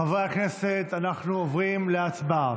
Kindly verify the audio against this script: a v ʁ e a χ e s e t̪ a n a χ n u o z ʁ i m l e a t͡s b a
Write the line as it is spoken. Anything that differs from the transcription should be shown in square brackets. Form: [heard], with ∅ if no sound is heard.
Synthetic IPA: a v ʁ e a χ e s e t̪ a n a χ n u o [v] ʁ i m l e a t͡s b a